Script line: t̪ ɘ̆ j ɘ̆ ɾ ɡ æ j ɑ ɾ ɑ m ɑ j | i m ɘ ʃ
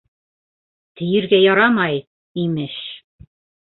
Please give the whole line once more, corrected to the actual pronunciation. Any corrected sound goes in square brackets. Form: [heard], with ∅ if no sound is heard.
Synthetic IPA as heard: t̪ ɘ̆ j ɘ̆ ɾ ɡ æ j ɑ ɾ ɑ m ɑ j | i m ɘ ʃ